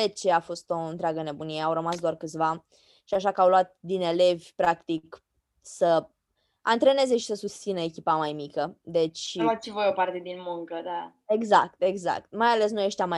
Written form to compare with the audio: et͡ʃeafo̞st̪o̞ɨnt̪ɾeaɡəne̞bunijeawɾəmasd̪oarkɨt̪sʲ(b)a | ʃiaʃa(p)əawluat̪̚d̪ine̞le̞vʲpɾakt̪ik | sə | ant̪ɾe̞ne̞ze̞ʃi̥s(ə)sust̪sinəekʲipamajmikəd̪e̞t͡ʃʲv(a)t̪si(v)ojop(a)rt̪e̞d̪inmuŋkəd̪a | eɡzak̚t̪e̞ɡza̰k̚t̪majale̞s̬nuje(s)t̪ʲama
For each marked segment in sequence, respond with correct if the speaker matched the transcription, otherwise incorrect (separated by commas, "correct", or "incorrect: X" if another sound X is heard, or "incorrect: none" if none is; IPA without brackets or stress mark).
incorrect: v, incorrect: k, correct, correct, correct, correct, incorrect: ʃ